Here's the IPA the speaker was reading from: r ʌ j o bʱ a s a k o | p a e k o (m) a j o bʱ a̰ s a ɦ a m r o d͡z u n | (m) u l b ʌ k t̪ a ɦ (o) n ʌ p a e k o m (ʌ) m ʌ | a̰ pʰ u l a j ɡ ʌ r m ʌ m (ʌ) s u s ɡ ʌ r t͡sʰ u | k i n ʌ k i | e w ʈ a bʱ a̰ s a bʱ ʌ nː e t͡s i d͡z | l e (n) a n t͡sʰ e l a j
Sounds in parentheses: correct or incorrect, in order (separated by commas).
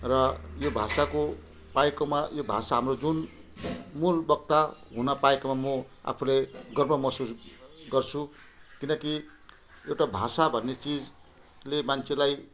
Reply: correct, correct, incorrect, incorrect, correct, incorrect